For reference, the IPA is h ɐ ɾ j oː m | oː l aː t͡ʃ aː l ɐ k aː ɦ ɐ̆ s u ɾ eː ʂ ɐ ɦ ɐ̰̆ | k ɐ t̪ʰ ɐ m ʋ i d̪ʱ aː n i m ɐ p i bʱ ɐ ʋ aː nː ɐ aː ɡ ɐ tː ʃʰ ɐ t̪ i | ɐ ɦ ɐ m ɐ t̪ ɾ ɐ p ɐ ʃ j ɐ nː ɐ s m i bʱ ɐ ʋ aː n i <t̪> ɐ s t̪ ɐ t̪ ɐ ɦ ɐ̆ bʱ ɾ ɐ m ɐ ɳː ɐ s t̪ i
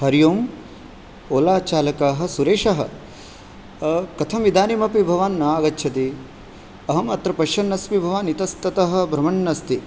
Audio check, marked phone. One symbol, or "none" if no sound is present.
t̪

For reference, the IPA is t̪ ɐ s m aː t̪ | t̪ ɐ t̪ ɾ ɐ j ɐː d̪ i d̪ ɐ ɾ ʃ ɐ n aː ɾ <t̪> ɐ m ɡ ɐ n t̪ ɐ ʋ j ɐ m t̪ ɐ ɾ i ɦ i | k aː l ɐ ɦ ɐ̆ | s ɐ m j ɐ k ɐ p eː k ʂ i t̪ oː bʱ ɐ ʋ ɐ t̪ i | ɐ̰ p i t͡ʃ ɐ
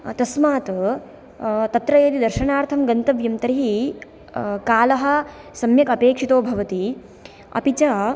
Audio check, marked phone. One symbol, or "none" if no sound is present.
t̪ʰ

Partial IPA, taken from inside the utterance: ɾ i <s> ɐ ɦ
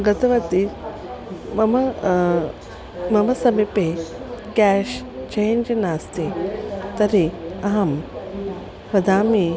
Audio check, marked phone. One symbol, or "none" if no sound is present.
none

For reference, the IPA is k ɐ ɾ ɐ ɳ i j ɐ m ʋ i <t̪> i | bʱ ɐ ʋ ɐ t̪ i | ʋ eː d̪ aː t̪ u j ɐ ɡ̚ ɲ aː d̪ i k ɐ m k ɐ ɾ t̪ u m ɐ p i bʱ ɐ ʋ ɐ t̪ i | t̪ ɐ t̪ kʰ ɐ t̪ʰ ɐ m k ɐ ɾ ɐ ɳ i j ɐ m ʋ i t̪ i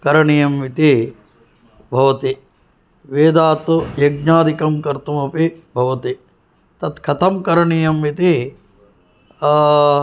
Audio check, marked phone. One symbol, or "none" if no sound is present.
t̪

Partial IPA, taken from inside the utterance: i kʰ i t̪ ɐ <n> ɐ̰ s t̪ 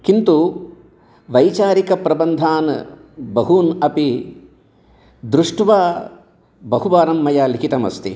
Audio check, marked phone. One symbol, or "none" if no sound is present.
m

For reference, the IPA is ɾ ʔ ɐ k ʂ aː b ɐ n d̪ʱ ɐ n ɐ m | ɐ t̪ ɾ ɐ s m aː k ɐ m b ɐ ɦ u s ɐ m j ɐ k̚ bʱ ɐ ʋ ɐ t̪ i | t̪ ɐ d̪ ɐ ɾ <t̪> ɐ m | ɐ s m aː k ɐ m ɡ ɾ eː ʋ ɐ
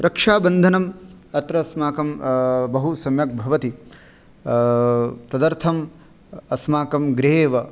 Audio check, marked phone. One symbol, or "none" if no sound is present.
t̪ʰ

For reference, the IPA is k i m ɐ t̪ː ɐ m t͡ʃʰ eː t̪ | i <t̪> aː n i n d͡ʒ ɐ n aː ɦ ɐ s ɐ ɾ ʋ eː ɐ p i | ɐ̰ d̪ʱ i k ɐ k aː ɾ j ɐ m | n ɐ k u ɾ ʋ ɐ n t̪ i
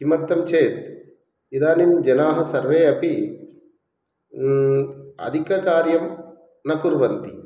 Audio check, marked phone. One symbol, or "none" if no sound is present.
d̪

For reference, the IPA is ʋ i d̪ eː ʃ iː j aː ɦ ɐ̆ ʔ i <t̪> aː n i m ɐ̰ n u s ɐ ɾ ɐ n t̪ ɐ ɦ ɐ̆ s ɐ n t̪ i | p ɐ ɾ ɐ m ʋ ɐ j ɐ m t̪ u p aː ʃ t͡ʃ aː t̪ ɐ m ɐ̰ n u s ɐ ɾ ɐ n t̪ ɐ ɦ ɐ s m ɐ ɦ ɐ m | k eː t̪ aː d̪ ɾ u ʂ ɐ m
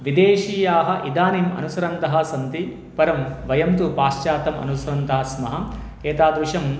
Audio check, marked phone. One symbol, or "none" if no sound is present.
d̪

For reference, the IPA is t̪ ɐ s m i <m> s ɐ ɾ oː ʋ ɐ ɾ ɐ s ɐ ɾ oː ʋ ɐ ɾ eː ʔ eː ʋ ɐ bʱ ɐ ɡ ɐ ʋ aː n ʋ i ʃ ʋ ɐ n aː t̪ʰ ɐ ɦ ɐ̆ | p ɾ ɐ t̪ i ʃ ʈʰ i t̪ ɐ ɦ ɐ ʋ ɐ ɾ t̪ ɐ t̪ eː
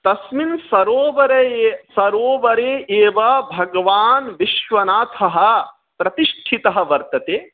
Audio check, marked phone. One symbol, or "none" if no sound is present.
n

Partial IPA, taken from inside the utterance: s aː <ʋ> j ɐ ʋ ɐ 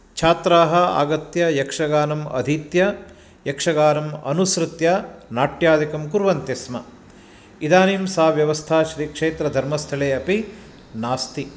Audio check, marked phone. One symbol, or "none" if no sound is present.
ʋ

